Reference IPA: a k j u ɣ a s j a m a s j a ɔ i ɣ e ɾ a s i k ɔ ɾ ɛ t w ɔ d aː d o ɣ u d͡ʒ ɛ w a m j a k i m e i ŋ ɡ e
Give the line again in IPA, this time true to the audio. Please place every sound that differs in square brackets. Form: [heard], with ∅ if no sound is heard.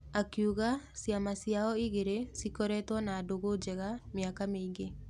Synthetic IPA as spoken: a k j u ɣ a s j a m a s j a ɔ i ɣ e ɾ [e] s i k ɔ ɾ ɛ t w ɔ [n] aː d o ɣ [o] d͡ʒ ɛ [ɣ] a m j a k [a] m e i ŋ ɡ e